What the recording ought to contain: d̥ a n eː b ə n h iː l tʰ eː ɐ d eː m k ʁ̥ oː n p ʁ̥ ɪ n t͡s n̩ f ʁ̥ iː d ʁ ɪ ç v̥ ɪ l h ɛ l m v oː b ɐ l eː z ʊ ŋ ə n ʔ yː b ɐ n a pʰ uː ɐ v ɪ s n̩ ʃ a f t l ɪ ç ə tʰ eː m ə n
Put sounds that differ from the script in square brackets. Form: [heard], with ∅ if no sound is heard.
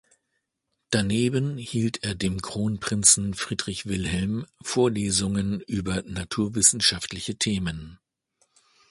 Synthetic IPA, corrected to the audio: d̥ a n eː b ə n h iː l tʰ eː ɐ d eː m k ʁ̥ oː n p ʁ̥ ɪ n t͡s n̩ f ʁ̥ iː d ʁ ɪ ç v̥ ɪ l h ɛ l m [f] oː [∅] ɐ l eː z ʊ ŋ ə n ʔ yː b ɐ n a [tʰ] uː ɐ v ɪ s n̩ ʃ a f t l ɪ ç ə tʰ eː m ə n